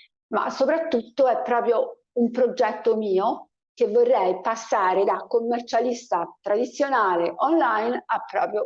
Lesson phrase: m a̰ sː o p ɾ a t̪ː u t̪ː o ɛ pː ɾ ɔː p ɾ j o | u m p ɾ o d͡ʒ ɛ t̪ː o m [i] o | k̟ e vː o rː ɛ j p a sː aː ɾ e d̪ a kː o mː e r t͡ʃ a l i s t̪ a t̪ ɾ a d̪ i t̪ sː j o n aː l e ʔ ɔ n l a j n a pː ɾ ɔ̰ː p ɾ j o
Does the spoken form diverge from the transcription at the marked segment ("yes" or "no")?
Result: yes